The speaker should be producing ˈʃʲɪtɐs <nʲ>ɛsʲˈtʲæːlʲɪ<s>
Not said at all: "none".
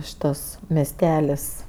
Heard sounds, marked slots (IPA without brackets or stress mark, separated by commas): mʲ, s